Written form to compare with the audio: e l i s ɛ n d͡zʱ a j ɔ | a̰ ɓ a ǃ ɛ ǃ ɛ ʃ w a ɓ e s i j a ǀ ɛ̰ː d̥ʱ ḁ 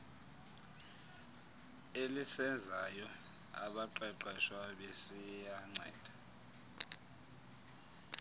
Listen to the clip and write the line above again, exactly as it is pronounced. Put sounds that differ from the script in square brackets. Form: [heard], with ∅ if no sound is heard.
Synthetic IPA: e l i s ɛ n d͡zʱ a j ɔ | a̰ ɓ a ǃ ɛ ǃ ɛ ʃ w a ɓ e s i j a [ŋ͡ǀ] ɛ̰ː d̥ʱ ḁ